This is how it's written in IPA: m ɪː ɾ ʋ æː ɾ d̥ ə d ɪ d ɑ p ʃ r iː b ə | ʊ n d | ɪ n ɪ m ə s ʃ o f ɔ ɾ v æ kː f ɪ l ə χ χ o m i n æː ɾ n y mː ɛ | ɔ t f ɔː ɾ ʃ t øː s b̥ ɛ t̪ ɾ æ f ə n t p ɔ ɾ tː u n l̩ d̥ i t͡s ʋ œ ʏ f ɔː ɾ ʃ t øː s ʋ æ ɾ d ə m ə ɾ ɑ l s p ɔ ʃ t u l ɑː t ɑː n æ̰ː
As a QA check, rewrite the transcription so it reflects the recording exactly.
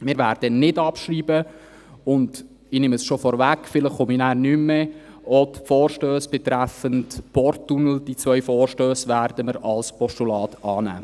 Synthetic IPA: m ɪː ɾ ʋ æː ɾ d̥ ə n ɪ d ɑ p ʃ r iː b ə | ʊ n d | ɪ n ɪ m ə s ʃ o f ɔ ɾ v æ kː f ɪ l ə χ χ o m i n æː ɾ n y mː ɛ | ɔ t f ɔː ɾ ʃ t øː s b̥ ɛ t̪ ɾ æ f ə n t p ɔ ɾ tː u n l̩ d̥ i t͡s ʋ œ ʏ f ɔː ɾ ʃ t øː s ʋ æ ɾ d ə m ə ɾ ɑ l s p ɔ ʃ t u l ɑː t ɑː n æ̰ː